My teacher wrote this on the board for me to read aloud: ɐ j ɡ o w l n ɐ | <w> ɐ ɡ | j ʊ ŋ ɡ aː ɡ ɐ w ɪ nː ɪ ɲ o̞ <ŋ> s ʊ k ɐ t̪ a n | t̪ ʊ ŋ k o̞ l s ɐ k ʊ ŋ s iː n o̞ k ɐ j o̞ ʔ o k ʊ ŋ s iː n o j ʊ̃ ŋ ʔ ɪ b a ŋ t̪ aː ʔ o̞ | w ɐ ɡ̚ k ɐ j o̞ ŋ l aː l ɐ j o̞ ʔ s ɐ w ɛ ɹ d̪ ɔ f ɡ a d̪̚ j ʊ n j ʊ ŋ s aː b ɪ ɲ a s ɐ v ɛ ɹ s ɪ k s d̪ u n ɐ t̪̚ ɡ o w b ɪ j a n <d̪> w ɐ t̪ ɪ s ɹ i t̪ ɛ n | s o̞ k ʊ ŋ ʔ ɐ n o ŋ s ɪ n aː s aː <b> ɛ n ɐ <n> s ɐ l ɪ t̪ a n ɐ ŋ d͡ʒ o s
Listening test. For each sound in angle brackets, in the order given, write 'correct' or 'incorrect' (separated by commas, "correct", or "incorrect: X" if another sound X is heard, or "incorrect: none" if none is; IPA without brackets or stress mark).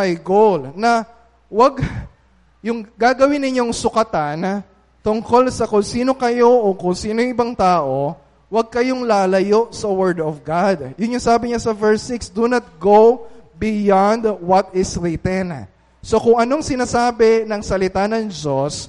correct, correct, correct, correct, incorrect: ŋ